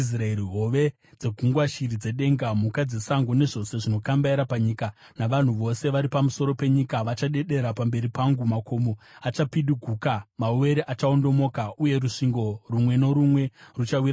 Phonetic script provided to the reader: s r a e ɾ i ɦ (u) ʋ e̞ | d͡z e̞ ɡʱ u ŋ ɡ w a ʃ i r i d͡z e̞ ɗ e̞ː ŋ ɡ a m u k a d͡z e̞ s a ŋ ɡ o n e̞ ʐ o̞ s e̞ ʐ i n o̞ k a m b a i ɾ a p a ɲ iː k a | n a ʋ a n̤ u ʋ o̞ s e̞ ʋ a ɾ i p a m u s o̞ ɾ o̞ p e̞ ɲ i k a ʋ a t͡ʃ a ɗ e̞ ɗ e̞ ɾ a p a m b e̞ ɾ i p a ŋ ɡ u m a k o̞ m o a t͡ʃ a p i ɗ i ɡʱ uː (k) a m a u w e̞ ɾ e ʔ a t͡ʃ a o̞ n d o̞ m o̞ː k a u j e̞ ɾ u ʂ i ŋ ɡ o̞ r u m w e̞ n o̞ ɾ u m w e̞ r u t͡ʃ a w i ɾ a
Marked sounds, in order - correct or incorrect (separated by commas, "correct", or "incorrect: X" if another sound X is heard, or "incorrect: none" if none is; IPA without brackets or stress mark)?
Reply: incorrect: o, correct